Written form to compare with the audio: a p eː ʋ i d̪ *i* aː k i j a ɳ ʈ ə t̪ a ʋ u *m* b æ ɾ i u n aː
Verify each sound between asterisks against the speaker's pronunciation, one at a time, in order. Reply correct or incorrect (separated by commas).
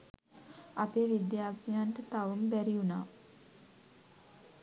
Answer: incorrect, correct